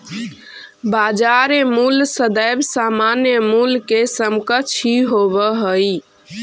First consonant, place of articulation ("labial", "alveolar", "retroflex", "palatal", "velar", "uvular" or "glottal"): labial